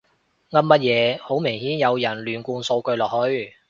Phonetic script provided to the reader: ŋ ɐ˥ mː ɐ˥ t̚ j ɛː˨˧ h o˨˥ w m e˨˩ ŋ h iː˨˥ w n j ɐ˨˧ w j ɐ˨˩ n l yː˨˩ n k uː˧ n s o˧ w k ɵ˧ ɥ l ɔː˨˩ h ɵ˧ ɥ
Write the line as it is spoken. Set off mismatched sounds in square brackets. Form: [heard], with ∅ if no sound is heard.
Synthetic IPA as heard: ŋ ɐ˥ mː ɐ˥ t̚ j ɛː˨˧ h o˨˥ w m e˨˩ ŋ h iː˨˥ [∅] n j ɐ˨˧ w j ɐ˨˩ n l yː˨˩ n k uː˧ n s o˧ w k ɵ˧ ɥ l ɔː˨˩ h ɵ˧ ɥ